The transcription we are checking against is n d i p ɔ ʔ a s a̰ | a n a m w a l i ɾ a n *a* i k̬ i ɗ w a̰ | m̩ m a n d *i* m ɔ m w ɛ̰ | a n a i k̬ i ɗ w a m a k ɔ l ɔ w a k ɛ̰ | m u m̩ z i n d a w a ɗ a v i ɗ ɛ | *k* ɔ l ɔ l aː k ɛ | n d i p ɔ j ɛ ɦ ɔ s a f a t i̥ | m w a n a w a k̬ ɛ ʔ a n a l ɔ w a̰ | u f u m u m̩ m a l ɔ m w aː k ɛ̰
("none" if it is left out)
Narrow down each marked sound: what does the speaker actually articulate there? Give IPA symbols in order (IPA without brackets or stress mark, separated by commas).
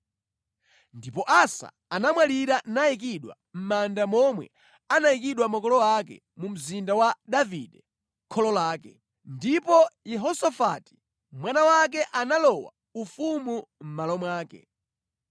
a, a, kʰ